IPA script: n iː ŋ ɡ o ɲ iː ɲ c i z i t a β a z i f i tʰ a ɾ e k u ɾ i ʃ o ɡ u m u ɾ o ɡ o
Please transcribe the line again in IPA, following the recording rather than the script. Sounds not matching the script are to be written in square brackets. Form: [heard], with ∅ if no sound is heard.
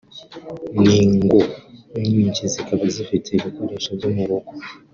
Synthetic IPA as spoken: n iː ŋ ɡ o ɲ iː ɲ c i z i [k] a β a z i f i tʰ [i] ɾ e k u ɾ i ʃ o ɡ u m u ɾ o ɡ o